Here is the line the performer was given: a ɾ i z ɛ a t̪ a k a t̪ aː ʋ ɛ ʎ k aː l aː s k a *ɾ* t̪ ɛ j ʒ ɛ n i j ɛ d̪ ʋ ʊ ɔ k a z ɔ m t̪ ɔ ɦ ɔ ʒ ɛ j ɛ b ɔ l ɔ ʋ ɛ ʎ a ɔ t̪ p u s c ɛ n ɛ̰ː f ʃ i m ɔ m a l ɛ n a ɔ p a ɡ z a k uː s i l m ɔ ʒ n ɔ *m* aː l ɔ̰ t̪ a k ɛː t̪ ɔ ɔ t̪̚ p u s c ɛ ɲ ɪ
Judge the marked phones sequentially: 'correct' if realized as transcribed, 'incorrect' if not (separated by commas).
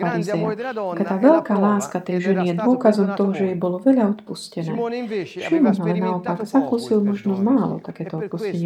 incorrect, correct